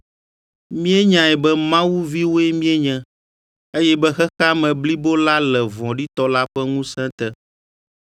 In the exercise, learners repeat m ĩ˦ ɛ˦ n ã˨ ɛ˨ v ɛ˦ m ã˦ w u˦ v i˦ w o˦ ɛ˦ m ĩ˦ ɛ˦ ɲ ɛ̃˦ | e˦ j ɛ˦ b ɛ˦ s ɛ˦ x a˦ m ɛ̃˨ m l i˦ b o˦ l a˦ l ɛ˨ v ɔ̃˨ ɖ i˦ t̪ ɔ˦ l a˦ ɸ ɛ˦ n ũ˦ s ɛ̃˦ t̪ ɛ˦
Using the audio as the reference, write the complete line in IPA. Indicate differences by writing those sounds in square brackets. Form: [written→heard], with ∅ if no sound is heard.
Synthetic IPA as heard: m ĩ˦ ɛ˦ [n→ɲ] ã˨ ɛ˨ [v→b] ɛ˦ m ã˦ w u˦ v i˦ w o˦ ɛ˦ m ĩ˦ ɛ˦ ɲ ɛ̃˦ | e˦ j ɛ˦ b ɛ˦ [s→x] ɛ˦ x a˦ m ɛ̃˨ [m→b] l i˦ b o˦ l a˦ l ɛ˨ v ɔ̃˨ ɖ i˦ t̪ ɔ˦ l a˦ ɸ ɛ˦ [n→ŋ] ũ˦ s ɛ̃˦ t̪ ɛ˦